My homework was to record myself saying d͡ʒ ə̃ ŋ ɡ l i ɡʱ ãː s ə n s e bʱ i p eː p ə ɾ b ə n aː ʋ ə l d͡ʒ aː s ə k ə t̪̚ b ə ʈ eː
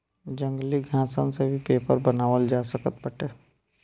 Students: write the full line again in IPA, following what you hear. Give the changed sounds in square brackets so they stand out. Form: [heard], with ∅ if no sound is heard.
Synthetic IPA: d͡ʒ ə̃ ŋ ɡ l i ɡʱ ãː s ə n s e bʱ i p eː p ə ɾ b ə n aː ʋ ə l d͡ʒ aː s ə k ə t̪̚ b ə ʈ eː